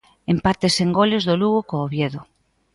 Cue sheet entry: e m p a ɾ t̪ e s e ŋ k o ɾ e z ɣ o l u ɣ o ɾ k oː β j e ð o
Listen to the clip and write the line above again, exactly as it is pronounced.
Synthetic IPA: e m p a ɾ t̪ e s e ŋ ɡ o l e z ð o l u ɣ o k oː β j e ð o